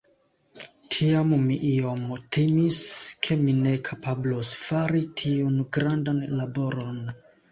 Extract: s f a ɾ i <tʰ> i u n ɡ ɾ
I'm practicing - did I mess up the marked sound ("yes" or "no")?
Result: no